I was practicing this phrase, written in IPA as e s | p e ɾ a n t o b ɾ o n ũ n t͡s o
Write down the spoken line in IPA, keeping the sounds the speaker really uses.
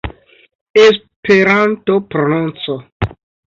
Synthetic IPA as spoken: e s | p e ɾ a n t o p ɾ o n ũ n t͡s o